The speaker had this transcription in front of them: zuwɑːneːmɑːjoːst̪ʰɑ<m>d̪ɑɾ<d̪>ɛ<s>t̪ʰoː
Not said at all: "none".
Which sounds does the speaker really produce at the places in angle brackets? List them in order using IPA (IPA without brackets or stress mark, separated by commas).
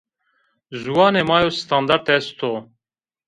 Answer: n, t̪, s